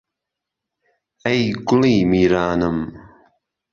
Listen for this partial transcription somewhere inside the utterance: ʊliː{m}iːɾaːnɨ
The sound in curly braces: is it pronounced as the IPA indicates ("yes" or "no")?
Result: yes